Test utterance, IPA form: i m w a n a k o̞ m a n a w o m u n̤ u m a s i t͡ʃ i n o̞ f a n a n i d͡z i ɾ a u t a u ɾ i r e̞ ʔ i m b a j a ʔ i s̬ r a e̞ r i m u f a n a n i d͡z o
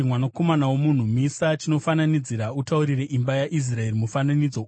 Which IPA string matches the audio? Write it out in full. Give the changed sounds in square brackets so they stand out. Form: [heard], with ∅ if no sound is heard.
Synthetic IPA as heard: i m w a n a k o̞ m a n a w o m u n̤ u m [i] s [a] t͡ʃ i n o̞ f a n a n i d͡z i ɾ a u t a u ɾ i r e̞ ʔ i m b a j a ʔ i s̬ r a e̞ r i m u f a n a n i d͡z o